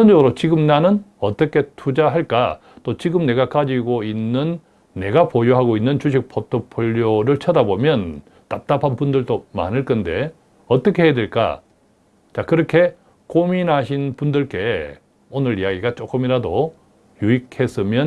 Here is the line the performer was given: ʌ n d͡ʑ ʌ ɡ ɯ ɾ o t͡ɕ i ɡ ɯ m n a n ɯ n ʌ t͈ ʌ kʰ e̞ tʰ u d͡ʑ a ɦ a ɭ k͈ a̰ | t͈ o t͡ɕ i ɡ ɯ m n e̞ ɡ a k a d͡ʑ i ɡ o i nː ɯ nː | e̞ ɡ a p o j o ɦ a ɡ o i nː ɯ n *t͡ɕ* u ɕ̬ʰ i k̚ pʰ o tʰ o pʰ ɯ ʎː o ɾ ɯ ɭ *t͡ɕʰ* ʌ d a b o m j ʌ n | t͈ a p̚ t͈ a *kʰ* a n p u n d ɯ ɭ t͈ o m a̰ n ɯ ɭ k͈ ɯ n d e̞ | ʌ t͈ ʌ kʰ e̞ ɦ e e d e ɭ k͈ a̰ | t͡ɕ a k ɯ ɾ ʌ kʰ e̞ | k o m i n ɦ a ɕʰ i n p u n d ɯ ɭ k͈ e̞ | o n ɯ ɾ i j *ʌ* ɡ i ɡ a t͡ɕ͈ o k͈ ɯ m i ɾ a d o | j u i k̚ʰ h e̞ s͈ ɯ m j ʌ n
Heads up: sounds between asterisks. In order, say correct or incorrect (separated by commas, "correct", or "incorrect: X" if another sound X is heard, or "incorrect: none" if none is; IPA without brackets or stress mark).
correct, correct, incorrect: pʰ, incorrect: a